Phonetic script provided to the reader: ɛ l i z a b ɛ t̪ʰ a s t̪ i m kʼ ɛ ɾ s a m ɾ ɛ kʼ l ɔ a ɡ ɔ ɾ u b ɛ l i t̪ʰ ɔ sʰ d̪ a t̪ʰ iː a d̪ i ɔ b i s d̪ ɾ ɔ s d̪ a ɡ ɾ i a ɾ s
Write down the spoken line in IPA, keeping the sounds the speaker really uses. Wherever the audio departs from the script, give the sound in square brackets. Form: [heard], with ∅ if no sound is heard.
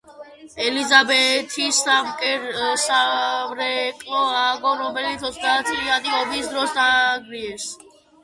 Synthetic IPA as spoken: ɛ l i z a b ɛ t̪ʰ [i] s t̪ [a] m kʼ ɛ ɾ s a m ɾ ɛ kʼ l ɔ a ɡ ɔ ɾ [ɔ] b ɛ l i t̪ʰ ɔ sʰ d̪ a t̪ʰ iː a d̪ i ɔ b i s d̪ ɾ ɔ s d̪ a ɡ ɾ i [ɛ] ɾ s